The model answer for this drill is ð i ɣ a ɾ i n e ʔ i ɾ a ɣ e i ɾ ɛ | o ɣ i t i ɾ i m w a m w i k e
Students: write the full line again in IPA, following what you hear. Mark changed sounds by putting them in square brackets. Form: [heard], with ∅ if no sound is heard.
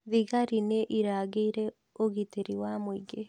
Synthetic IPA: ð i ɣ a ɾ i n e ʔ i ɾ a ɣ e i ɾ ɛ | o ɣ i t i ɾ i [∅] w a m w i [ɡ] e